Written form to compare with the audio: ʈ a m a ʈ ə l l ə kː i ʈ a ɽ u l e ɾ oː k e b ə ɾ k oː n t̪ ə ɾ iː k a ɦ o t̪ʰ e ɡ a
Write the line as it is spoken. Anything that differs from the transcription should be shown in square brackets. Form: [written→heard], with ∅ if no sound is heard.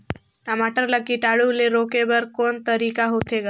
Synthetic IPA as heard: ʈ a m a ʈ ə [l→ɾ] l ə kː i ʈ a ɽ u l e ɾ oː k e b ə ɾ k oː n t̪ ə ɾ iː k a ɦ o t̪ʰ e ɡ a